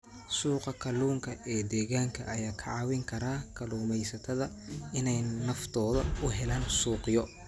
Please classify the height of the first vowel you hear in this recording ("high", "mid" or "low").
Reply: high